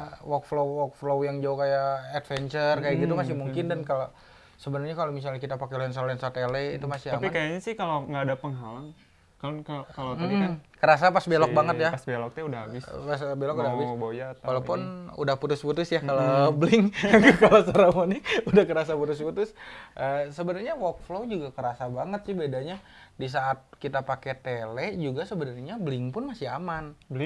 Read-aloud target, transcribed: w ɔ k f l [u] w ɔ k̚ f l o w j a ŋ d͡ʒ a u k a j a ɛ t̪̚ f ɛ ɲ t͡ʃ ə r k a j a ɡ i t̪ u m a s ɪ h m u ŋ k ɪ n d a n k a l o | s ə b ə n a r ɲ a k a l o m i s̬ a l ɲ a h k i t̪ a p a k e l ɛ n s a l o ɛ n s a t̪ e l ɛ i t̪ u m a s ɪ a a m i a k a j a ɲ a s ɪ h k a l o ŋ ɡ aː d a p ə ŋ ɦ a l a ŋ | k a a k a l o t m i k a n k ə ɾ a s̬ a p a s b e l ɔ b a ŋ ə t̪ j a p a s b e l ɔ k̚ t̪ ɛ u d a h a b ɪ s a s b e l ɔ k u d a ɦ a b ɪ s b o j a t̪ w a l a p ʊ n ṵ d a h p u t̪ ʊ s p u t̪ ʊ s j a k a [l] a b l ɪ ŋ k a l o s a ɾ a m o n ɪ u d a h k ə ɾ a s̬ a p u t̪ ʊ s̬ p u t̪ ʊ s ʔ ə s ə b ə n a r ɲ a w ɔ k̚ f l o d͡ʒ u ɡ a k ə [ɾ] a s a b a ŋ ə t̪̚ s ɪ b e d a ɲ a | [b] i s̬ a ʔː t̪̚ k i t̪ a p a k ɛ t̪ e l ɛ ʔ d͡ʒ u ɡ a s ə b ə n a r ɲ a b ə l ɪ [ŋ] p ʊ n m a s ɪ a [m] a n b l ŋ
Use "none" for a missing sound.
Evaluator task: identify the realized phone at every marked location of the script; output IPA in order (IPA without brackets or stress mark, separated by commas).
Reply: o, l, ɾ, d, ŋ, m